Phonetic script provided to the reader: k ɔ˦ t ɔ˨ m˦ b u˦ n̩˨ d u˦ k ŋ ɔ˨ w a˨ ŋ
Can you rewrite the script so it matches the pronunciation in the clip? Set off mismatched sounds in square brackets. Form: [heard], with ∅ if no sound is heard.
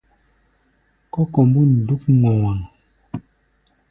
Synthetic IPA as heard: k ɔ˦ [k] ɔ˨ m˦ b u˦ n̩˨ d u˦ k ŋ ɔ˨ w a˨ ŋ

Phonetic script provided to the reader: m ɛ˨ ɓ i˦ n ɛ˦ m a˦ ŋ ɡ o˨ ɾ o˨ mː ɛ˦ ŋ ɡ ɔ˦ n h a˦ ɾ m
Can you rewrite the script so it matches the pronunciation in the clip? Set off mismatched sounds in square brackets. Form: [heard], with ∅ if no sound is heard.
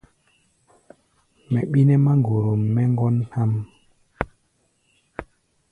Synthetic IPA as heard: m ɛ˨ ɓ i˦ n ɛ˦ m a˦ ŋ ɡ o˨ ɾ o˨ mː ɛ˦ ŋ ɡ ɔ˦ n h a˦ [∅] m

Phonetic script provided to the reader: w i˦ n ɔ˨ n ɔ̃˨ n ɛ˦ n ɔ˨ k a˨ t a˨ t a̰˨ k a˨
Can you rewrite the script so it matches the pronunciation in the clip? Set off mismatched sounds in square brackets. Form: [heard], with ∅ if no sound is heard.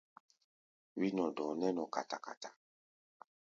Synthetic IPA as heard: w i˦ n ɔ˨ [d] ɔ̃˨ n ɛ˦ n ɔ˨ k a˨ t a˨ [k] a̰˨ [t] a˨

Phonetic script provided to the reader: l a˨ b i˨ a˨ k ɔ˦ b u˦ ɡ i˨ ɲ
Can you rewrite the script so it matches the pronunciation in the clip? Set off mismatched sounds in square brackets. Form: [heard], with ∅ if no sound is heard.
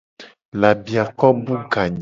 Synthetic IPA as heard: l a˨ b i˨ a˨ k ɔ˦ b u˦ ɡ [a˨] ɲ

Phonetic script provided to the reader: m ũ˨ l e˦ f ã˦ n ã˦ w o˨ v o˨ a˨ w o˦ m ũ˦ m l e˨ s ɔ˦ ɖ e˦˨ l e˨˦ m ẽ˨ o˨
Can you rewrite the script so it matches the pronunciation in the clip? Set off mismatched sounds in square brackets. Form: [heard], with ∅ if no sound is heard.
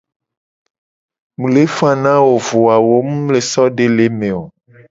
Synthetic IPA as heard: m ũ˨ l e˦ f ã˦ n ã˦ w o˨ v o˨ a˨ w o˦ m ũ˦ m l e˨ s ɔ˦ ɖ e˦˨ l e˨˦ m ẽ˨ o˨

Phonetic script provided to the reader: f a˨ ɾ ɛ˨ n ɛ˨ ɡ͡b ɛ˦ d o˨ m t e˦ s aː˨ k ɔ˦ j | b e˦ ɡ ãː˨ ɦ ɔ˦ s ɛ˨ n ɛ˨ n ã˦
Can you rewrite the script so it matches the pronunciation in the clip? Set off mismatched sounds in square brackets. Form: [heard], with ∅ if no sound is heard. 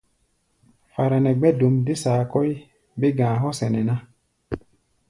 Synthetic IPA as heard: f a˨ ɾ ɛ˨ n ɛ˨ ɡ͡b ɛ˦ d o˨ m [d] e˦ s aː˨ k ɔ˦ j | b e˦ ɡ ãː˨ ɦ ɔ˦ s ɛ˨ n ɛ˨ n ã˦

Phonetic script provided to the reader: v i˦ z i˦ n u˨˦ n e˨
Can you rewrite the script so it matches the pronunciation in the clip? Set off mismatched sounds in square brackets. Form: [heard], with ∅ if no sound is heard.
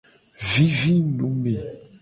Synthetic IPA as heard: v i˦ [v] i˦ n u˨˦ [m] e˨

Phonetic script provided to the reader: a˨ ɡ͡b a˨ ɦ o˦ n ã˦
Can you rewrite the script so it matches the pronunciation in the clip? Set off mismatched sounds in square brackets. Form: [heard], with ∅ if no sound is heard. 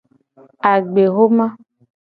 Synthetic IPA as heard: a˨ ɡ͡b [e˨] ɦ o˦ [m] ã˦

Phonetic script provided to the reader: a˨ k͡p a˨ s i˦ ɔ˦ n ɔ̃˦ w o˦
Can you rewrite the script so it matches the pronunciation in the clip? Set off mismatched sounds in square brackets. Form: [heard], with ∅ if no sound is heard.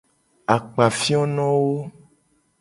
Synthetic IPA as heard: a˨ k͡p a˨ [f] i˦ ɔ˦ n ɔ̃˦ w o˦

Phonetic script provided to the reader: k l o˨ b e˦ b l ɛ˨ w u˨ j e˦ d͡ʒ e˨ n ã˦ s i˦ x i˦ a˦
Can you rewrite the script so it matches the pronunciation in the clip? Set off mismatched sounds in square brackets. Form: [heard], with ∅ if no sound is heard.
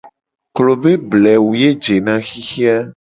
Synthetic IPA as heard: k l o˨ b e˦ b l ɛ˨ w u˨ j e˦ d͡ʒ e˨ n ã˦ [x] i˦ x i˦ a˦

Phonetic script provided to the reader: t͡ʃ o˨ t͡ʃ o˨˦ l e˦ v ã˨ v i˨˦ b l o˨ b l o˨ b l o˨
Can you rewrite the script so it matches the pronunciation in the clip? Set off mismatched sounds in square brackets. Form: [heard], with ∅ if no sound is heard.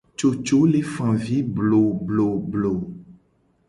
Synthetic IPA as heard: t͡ʃ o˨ t͡ʃ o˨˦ l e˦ [f] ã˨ v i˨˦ b l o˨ b l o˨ b l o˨

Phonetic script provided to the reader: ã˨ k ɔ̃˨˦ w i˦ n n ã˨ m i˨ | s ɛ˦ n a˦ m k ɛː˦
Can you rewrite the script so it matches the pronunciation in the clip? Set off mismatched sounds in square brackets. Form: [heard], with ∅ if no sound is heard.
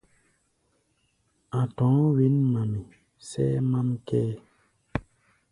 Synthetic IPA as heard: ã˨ [t] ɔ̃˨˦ w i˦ n [m] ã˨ m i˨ | s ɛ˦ [m] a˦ m k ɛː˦

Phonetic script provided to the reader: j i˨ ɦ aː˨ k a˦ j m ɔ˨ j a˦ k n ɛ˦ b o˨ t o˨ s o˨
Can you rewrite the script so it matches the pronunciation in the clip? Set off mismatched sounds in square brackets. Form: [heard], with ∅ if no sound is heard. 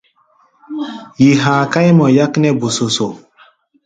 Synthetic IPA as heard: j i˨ ɦ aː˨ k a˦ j m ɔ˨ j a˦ k n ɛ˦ b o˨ [s] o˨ s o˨

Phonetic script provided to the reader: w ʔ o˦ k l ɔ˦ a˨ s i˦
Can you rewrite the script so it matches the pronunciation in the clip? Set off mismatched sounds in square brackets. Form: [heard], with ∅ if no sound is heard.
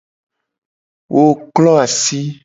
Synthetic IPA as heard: w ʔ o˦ k l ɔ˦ a˨ s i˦

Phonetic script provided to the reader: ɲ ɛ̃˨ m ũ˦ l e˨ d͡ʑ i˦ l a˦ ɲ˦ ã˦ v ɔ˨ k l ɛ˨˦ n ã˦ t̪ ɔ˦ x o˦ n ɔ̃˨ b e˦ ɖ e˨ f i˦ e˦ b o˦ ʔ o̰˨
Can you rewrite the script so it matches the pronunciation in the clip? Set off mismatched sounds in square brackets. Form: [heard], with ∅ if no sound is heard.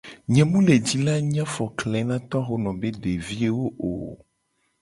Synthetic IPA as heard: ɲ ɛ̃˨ m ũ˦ l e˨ d͡ʑ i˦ l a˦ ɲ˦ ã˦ [f] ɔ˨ k l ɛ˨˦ n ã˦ t̪ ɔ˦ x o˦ n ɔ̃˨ b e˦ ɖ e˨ [v] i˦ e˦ [w] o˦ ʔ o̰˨

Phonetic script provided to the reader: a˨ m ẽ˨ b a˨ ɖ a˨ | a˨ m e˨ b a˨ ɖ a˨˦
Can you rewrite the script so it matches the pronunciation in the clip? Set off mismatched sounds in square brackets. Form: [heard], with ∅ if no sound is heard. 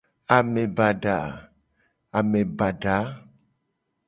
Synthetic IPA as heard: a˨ m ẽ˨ b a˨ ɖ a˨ | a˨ m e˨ b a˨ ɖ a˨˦

